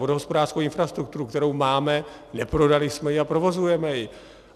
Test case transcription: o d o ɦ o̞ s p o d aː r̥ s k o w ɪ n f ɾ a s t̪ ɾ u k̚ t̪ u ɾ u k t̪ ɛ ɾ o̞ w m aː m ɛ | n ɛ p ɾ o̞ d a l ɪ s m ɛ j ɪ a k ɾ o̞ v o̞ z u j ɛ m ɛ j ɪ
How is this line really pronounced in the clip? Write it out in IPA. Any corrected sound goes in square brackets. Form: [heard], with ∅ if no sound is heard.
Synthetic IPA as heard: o d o ɦ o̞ s p o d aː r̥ s k o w ɪ n f ɾ a s t̪ ɾ u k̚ t̪ u ɾ u k t̪ ɛ ɾ o̞ w m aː m ɛ | n ɛ p ɾ o̞ d a l ɪ s m ɛ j ɪ a [p] ɾ o̞ v o̞ z u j ɛ m ɛ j ɪ